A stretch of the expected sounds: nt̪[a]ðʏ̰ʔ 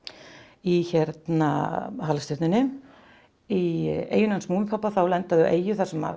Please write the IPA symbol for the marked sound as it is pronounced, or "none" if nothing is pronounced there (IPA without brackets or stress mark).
a